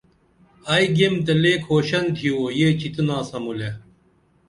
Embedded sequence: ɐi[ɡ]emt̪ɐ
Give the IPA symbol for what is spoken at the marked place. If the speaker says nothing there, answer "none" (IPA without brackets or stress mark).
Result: ɡ